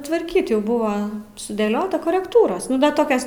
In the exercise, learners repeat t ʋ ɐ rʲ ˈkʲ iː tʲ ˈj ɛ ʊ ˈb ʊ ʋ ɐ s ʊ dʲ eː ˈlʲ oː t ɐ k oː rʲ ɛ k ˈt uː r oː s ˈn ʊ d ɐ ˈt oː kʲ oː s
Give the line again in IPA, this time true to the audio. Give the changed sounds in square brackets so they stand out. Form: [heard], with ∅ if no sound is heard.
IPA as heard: t ʋ ɐ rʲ ˈkʲ iː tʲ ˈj ɛ ʊ ˈb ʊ ʋ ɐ s ʊ dʲ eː ˈlʲ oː t ɐ k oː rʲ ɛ k ˈt uː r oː s ˈn ʊ d ɐ ˈt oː kʲ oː s